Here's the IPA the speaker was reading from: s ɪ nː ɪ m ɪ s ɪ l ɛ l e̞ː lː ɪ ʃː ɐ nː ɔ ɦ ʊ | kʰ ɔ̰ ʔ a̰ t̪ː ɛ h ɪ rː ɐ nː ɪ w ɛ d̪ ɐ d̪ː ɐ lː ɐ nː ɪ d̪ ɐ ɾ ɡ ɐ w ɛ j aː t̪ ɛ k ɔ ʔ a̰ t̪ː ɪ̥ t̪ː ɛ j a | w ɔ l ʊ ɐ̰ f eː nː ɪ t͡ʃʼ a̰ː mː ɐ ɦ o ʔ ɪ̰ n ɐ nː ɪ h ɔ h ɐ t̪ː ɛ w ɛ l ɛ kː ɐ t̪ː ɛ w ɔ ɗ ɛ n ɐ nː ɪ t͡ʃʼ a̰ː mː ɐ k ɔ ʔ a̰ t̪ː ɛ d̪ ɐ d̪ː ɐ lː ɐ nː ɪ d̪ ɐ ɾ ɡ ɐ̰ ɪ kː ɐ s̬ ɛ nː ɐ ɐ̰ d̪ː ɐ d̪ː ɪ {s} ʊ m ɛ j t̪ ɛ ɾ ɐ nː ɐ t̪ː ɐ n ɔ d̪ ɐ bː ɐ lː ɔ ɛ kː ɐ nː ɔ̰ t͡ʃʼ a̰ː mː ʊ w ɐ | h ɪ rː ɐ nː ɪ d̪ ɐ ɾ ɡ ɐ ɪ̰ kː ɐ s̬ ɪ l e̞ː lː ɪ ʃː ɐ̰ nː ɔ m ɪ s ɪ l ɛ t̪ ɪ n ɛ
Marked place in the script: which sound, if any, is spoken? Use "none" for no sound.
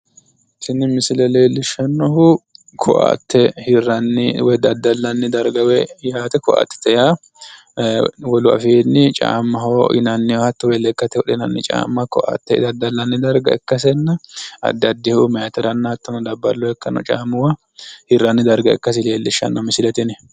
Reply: h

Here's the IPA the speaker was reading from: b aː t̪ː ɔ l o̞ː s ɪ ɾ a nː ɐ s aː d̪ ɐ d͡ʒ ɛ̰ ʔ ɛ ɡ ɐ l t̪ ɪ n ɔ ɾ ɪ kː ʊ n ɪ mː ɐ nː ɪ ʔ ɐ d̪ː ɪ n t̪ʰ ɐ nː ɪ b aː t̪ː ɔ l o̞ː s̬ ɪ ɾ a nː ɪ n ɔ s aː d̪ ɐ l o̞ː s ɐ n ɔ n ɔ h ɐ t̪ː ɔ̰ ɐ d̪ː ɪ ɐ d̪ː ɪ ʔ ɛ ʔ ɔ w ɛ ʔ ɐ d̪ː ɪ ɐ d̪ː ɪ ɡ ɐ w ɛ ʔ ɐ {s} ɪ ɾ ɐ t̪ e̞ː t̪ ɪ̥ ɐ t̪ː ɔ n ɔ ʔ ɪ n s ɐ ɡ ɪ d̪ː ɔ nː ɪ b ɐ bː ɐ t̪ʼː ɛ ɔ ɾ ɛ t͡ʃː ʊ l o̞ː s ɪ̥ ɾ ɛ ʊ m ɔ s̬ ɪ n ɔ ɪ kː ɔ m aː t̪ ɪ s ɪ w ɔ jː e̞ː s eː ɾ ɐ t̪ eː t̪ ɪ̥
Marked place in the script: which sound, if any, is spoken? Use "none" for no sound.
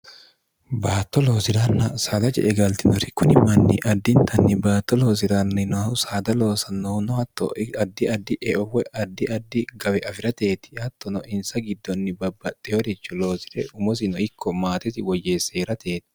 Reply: f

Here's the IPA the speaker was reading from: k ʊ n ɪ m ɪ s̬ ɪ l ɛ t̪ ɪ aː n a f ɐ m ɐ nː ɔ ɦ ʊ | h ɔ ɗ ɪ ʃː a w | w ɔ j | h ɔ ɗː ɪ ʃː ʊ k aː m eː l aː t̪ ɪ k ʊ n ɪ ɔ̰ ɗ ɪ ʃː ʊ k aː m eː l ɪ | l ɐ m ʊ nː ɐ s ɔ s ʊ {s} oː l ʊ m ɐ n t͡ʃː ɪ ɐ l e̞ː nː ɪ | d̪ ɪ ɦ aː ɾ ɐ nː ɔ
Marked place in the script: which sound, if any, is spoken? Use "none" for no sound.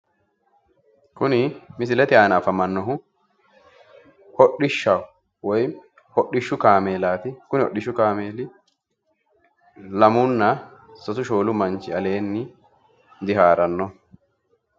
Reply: ʃ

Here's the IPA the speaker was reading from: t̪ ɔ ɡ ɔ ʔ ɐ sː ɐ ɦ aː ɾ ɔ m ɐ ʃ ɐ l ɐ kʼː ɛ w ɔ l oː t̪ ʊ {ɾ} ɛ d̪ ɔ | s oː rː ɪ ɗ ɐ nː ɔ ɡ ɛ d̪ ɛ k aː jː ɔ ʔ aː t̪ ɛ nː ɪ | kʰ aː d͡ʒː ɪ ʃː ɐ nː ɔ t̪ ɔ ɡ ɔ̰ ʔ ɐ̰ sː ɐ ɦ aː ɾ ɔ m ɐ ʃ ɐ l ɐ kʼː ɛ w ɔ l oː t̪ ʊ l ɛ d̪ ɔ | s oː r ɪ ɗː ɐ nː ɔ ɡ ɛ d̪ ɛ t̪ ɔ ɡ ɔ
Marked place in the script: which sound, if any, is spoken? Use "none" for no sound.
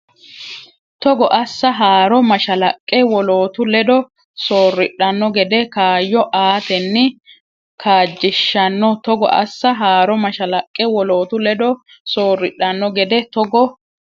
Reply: l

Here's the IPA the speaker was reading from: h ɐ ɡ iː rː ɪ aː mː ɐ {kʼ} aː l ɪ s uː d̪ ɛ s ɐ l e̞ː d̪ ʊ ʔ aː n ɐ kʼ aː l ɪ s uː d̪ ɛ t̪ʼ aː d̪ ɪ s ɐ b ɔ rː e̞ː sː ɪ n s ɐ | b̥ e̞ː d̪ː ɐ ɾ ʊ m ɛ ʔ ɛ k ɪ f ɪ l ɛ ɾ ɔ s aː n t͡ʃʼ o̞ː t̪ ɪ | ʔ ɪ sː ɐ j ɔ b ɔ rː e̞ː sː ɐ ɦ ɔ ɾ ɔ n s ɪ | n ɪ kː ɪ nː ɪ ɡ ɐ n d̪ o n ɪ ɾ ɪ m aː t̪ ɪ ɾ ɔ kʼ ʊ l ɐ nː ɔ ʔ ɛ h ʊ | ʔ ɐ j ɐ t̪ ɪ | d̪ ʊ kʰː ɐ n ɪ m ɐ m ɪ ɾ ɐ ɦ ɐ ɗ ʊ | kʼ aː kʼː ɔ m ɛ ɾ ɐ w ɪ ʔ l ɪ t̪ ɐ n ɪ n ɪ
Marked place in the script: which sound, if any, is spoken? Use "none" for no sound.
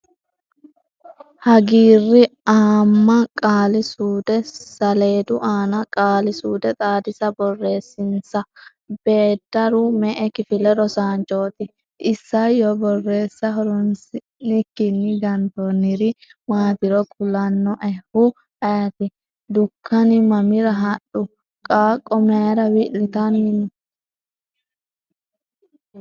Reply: kʼ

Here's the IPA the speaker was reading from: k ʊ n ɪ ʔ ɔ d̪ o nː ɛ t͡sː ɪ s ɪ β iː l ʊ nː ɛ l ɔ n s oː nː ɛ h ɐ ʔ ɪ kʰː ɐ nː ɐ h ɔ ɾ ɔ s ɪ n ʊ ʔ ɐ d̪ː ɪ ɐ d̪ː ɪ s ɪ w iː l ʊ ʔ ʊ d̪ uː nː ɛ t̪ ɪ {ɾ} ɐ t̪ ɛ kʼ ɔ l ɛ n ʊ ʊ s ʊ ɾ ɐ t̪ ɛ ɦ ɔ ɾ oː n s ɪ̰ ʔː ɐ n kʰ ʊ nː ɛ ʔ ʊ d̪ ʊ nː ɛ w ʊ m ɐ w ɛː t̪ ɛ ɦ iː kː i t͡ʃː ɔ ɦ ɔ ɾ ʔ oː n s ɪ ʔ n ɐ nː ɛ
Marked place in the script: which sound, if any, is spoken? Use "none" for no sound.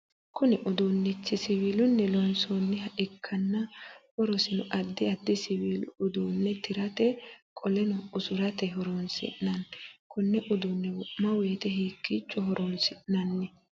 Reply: ɾ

